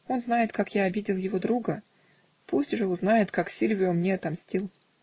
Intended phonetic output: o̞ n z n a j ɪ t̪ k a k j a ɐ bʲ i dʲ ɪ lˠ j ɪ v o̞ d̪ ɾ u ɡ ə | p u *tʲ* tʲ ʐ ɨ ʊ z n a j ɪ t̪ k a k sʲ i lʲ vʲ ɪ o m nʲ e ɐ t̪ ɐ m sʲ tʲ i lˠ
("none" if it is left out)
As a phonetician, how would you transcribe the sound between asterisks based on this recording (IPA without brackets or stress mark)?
sʲ